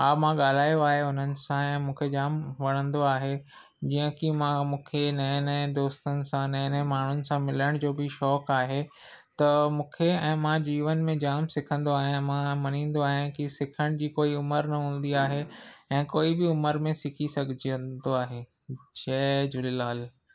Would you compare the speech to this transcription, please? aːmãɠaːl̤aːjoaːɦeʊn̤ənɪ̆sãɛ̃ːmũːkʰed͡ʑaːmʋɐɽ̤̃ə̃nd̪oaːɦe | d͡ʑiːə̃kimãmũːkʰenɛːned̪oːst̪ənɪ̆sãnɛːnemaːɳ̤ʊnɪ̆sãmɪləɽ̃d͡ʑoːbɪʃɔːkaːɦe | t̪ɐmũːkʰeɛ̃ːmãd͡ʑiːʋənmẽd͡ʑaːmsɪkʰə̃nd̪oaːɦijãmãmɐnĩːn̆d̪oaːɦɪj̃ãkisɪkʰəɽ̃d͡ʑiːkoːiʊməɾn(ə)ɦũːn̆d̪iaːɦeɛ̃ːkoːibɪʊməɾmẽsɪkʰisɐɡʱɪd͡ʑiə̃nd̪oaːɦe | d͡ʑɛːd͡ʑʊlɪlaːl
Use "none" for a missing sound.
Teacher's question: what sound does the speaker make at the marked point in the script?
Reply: ɐ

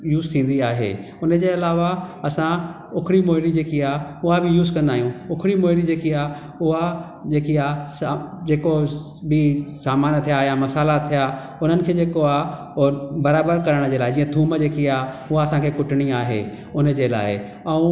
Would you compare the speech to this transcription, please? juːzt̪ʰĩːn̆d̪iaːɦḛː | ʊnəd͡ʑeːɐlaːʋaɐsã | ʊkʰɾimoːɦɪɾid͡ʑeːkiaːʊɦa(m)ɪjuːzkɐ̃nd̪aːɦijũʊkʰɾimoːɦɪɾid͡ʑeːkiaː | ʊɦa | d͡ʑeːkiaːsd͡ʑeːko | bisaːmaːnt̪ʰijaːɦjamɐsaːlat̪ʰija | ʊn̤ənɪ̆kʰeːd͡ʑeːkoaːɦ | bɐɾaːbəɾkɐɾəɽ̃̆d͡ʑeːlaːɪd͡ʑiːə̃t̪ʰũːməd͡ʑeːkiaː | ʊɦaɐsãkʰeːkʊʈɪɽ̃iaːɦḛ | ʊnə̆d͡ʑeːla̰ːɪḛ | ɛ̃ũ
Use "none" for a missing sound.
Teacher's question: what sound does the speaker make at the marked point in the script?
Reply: b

